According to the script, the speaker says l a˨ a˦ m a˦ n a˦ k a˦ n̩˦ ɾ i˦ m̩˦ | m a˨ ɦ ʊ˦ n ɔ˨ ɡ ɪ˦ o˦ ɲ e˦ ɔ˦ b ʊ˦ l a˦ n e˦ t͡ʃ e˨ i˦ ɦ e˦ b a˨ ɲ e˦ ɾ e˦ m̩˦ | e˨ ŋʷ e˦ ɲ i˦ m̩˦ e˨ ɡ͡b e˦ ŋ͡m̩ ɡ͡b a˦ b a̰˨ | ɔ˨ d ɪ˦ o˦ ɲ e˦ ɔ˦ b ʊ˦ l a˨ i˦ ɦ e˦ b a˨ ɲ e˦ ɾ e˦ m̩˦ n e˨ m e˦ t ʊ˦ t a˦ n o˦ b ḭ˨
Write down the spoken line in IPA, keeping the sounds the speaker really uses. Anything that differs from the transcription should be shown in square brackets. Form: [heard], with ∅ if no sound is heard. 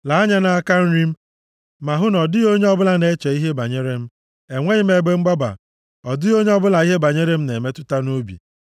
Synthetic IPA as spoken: l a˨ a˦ [ɲ] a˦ n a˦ k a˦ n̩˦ ɾ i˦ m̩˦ | m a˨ ɦ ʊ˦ n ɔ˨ [d] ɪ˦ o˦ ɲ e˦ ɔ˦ b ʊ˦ l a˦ n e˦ t͡ʃ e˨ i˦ ɦ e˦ b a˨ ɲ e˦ ɾ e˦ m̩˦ | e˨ ŋʷ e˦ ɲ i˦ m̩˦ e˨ ɡ͡b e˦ ŋ͡m̩ ɡ͡b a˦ b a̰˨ | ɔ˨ d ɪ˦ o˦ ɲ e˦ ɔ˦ b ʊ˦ l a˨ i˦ ɦ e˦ b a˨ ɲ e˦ ɾ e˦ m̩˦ n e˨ m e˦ t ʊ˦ t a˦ n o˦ b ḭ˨